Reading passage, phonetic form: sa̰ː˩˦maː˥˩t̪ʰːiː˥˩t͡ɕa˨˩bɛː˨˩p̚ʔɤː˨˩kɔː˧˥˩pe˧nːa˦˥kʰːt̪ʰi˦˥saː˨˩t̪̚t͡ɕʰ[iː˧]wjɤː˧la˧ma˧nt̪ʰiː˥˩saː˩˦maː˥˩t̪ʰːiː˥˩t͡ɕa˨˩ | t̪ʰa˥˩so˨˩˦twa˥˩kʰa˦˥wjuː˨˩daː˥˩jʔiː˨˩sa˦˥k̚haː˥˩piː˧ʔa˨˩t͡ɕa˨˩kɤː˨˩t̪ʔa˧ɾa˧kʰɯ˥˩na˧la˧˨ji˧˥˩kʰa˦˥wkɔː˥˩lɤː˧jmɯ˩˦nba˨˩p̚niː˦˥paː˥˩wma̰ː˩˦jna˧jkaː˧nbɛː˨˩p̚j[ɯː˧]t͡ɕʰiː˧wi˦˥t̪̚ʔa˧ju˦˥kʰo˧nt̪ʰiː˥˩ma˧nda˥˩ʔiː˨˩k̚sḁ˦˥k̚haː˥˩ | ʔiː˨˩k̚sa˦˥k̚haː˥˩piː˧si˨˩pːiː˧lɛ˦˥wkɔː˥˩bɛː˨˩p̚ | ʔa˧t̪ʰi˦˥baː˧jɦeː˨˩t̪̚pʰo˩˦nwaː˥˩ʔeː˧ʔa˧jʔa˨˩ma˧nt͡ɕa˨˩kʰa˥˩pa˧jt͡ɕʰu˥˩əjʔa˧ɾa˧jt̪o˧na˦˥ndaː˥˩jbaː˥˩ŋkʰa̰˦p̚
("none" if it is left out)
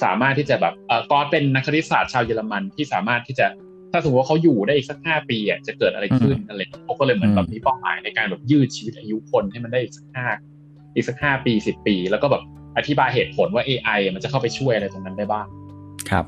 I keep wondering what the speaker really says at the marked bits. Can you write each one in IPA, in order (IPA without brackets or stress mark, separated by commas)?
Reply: aː˧, ɯː˥˩